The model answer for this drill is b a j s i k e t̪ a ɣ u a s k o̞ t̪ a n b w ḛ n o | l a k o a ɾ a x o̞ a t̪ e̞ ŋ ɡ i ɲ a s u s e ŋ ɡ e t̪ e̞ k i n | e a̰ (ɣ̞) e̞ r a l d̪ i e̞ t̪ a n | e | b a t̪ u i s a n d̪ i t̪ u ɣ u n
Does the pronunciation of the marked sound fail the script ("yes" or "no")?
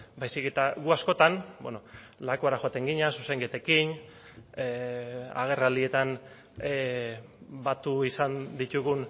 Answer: no